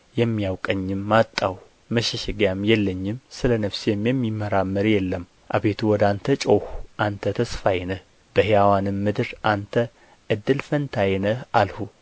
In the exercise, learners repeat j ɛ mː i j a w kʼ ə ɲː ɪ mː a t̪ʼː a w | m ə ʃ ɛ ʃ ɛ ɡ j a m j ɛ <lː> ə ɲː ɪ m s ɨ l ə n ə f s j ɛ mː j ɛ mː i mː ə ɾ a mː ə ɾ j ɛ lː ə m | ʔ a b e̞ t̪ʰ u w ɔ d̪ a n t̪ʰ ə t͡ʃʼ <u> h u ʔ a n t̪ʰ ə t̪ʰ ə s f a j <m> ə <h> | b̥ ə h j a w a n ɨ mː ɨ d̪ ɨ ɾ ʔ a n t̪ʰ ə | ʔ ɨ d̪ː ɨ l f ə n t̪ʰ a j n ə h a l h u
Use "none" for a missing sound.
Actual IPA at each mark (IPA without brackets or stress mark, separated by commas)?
lː, o, n, h